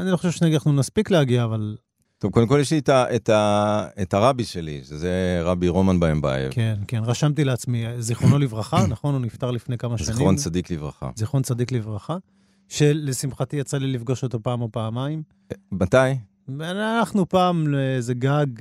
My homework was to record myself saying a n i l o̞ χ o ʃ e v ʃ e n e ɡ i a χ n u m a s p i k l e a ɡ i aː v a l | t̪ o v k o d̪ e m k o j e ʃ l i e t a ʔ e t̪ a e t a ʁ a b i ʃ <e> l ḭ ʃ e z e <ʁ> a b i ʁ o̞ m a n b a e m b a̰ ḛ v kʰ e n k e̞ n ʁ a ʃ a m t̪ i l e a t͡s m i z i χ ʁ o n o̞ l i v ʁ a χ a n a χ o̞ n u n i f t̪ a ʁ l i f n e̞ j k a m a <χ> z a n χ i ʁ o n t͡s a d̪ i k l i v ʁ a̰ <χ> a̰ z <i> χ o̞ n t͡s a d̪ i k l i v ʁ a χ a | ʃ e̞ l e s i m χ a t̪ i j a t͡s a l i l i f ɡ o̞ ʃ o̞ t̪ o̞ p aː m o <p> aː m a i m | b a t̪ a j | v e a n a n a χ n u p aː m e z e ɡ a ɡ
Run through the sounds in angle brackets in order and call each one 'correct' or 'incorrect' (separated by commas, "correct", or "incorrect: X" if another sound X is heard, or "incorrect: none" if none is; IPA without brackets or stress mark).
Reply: correct, correct, incorrect: ʃ, correct, correct, correct